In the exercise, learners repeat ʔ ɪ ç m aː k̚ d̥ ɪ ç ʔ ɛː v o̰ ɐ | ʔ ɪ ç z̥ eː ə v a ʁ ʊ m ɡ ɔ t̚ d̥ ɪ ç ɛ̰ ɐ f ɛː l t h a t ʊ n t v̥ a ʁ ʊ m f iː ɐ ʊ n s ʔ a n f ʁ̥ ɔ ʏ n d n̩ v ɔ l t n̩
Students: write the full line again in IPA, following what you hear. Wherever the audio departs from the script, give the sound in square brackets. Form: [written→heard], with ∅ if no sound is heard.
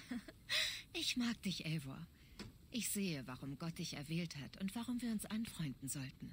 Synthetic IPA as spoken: ʔ ɪ ç m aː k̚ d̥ ɪ ç ʔ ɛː v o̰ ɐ | ʔ ɪ ç z̥ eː ə v a ʁ ʊ m ɡ ɔ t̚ d̥ ɪ ç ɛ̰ ɐ [f→v] ɛː l t h a t ʊ n t v̥ a ʁ ʊ m [f→v] iː ɐ ʊ n s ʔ a n f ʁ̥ ɔ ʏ n d n̩ [v→z] ɔ l t n̩